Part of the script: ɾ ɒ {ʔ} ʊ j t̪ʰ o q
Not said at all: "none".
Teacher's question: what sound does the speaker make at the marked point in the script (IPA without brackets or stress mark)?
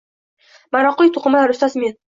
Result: q